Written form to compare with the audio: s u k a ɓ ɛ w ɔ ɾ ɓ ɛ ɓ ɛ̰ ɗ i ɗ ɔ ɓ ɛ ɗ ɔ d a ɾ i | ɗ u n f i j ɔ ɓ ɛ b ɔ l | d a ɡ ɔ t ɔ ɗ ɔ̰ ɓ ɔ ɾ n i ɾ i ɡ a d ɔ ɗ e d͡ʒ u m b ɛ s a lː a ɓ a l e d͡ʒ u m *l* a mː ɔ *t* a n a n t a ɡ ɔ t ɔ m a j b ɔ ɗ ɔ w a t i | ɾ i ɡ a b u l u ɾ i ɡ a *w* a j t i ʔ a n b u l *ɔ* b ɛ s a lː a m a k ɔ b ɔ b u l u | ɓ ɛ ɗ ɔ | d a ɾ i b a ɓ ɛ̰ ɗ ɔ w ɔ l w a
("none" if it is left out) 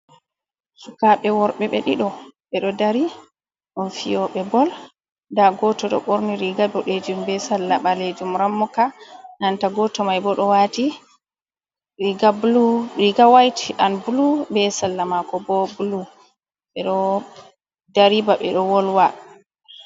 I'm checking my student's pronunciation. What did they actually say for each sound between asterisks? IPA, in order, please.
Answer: ɾ, k, w, u

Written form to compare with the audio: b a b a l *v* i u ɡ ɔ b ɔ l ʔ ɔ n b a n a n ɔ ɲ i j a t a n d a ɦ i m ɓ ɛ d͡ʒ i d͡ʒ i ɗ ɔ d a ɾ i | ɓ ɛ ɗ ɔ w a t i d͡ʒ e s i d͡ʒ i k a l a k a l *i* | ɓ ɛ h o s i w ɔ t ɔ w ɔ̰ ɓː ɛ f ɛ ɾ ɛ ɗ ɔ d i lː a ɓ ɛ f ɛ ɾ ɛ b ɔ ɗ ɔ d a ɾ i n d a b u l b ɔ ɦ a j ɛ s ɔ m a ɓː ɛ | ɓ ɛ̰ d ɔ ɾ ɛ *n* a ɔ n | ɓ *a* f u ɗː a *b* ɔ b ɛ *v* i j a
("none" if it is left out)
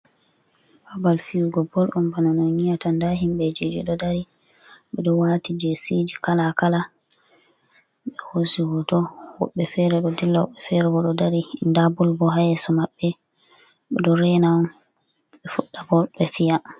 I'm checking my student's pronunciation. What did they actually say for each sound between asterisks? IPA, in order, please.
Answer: f, a, n, ɛ, b, f

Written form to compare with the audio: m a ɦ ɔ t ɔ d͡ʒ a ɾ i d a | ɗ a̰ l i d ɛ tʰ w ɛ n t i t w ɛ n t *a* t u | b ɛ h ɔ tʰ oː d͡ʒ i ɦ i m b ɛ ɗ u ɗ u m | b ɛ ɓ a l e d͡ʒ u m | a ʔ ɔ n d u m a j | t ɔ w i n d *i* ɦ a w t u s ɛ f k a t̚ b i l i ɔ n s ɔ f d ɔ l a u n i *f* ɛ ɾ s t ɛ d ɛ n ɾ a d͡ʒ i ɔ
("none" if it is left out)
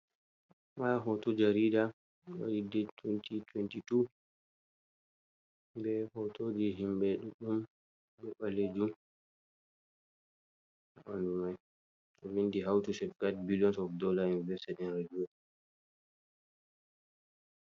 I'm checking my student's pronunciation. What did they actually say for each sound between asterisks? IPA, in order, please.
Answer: i, i, v

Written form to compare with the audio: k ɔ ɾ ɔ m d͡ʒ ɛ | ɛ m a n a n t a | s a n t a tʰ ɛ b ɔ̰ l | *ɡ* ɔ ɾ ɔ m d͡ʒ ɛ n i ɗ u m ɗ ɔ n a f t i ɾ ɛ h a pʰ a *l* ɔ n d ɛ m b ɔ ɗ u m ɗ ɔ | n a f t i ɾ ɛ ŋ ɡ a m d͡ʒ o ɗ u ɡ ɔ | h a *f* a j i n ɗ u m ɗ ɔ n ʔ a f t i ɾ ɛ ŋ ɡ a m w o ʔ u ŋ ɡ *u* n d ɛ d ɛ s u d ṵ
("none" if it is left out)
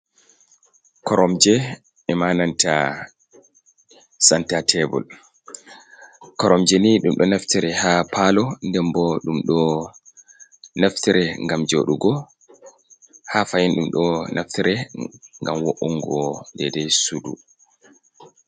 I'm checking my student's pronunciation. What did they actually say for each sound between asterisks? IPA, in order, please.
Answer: k, l, f, ɔ

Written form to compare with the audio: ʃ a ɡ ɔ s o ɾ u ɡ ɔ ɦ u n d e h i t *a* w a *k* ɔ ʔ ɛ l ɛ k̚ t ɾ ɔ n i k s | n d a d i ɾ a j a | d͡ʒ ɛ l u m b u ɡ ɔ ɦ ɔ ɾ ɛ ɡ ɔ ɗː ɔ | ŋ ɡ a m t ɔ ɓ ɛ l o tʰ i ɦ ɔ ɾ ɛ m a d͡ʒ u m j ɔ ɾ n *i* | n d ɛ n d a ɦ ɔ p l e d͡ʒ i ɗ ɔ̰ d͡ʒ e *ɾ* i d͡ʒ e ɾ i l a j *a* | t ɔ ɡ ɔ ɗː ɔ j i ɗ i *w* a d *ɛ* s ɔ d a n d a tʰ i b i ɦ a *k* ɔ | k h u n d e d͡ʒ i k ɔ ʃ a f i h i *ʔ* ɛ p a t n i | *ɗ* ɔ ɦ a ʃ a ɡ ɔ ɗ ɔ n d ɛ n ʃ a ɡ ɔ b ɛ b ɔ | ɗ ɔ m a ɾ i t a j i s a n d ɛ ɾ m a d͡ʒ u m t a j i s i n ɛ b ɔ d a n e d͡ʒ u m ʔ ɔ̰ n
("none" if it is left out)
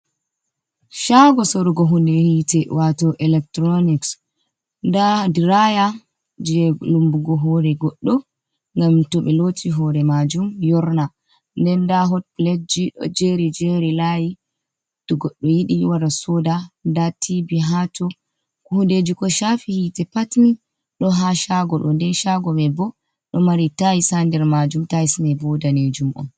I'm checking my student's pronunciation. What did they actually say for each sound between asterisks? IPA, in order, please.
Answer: ɛ, t, a, ɾ, i, w, a, t, t, ɗ

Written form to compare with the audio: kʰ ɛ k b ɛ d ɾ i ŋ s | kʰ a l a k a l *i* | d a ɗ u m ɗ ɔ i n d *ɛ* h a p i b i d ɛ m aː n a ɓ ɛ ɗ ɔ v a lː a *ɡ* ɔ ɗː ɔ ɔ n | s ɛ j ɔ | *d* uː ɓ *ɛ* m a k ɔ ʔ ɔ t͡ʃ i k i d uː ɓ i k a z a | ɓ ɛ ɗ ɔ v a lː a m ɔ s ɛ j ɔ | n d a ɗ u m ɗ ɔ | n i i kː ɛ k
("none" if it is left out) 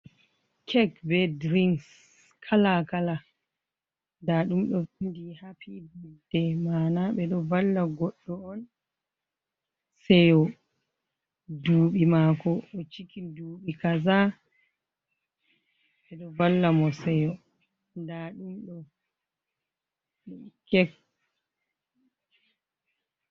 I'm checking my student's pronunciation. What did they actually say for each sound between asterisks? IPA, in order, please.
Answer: a, i, ɡ, d, i

